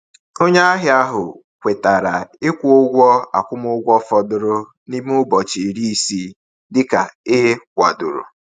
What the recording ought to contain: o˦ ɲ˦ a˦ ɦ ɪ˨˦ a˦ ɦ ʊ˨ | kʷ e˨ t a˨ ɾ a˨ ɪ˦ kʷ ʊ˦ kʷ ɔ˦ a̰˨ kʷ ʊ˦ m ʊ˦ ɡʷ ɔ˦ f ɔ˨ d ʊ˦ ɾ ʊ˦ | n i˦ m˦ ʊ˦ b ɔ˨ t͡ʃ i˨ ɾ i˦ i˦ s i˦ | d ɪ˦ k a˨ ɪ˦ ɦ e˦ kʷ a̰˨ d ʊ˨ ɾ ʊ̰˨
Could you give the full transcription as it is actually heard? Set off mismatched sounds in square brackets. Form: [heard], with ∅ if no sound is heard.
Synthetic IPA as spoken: o˦ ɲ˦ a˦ ɦ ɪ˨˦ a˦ ɦ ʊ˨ | kʷ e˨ t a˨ ɾ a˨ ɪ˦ kʷ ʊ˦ [ɡʷ] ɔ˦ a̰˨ kʷ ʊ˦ m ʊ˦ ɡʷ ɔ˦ f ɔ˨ d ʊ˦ ɾ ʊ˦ | n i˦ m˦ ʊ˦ b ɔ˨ t͡ʃ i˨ ɾ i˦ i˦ s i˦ | d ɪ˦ k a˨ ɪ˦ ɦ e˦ kʷ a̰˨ d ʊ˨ ɾ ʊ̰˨